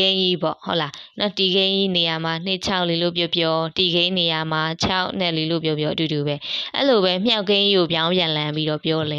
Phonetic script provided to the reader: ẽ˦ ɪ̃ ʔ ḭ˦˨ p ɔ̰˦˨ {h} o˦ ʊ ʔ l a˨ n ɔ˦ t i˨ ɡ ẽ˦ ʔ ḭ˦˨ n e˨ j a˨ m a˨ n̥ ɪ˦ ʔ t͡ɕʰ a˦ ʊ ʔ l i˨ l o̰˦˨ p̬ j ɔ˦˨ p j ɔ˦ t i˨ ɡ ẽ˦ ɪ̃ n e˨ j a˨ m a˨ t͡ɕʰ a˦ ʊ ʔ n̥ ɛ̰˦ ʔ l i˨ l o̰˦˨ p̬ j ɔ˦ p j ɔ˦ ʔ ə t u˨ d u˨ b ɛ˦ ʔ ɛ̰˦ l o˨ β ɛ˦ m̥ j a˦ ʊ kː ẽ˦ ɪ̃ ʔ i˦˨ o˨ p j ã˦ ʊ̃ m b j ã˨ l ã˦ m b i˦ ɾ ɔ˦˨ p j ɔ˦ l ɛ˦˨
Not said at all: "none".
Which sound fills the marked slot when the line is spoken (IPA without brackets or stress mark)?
h